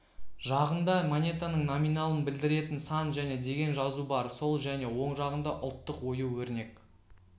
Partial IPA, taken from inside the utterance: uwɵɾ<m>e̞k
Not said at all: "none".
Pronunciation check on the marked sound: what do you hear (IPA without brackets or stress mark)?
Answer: n